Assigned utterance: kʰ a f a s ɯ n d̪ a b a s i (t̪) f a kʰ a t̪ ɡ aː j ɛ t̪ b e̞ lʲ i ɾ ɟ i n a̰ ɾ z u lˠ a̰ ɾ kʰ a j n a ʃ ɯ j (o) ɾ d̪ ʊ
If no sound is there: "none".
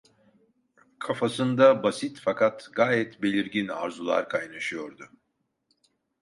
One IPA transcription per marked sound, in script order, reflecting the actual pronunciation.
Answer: t̪, o

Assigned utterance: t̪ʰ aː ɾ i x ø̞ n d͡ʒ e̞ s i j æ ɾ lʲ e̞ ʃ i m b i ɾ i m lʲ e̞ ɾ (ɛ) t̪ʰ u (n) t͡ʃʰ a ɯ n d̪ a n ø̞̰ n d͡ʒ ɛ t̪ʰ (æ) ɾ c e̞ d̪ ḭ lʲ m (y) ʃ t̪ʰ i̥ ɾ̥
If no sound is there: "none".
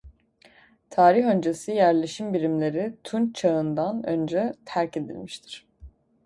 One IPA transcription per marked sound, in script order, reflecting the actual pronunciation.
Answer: i, n, æ, i

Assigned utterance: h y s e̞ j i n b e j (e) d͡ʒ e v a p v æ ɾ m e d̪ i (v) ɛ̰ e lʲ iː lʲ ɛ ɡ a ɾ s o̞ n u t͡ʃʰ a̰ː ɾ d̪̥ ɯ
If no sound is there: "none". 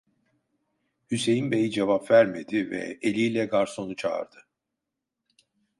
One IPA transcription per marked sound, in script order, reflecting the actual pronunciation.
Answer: i, v

